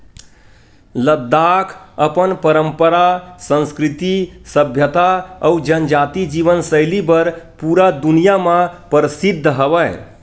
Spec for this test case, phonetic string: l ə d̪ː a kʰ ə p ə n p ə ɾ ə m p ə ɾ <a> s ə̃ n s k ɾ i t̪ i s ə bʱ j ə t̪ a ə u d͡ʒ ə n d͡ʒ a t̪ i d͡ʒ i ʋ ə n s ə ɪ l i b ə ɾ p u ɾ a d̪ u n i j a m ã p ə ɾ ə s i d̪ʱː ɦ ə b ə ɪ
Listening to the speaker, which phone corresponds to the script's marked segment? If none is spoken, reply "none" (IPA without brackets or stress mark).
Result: a